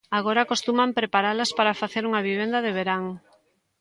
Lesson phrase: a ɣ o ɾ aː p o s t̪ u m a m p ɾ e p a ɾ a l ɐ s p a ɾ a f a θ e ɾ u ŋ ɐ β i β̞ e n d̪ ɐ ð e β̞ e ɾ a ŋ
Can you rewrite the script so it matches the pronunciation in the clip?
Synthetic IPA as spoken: a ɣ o ɾ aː k o s t̪ u m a m p ɾ e p a ɾ a l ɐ s p a ɾ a f a θ e ɾ u ŋ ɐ β i β̞ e n d̪ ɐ ð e β̞ e ɾ a ŋ